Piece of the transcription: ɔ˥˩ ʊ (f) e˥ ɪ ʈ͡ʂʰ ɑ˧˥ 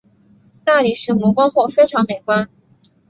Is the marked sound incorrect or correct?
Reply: correct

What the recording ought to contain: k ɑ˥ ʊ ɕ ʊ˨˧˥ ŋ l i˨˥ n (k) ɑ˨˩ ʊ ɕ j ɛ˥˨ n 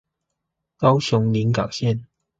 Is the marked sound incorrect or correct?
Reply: correct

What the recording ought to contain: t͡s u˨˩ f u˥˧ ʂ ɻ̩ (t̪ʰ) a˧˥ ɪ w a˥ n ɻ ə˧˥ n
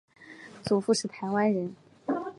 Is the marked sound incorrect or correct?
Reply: correct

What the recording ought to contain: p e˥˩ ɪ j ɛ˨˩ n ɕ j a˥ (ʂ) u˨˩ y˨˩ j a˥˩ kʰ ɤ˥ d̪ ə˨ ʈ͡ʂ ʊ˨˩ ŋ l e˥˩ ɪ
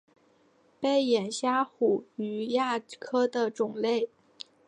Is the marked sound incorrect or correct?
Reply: incorrect: x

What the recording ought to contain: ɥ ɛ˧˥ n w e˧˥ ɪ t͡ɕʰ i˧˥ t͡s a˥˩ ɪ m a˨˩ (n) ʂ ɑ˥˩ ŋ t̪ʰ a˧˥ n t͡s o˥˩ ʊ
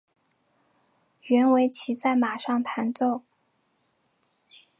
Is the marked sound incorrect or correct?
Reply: incorrect: none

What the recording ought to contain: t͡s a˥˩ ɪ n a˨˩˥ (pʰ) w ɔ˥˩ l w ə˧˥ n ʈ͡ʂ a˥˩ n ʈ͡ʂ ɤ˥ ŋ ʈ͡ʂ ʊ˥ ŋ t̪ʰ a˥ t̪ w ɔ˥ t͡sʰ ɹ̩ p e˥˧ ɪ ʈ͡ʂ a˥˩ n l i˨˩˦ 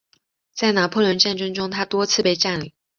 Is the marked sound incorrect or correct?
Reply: correct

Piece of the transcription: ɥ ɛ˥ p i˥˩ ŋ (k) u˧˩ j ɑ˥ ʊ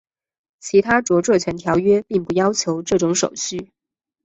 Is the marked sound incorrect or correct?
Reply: incorrect: p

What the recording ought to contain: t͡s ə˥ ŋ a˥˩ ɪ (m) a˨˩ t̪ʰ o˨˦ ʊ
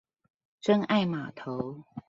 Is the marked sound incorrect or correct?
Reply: correct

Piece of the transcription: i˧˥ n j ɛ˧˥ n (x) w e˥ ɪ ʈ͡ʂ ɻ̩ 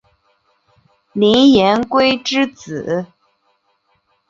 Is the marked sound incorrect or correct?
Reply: incorrect: k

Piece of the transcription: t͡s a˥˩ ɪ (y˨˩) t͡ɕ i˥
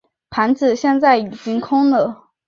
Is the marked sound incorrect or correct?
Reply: incorrect: i˨˩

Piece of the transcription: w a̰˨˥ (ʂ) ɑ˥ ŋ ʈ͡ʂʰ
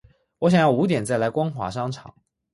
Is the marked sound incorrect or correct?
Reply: correct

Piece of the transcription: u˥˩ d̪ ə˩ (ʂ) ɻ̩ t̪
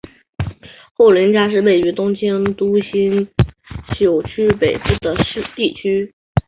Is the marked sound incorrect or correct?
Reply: correct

